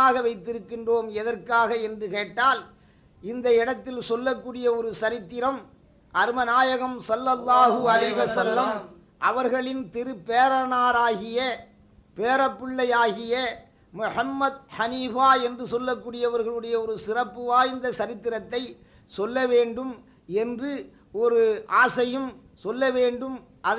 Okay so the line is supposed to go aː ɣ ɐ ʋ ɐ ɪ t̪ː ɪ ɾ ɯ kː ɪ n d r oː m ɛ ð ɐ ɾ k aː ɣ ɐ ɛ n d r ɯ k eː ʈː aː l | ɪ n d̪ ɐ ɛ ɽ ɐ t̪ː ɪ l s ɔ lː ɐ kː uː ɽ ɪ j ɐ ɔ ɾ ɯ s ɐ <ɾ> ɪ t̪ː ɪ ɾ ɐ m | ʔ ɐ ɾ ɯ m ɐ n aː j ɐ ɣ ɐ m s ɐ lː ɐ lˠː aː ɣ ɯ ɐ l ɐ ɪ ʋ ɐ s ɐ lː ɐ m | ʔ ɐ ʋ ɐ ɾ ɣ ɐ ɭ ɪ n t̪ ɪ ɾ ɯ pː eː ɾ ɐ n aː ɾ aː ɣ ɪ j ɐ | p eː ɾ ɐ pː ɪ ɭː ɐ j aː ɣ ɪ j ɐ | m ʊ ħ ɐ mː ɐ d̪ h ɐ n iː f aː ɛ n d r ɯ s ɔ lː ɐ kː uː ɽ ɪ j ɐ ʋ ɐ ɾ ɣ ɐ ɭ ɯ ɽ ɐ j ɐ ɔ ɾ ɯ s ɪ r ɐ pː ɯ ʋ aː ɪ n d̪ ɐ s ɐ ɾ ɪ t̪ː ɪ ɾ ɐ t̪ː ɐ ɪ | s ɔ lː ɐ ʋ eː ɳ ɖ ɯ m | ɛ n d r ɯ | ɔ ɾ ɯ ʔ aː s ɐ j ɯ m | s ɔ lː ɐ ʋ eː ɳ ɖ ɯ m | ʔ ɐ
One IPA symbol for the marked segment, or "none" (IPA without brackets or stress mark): ɾ